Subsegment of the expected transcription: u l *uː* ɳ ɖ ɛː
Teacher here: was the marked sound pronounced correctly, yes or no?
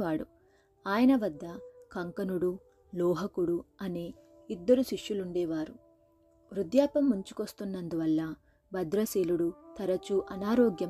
no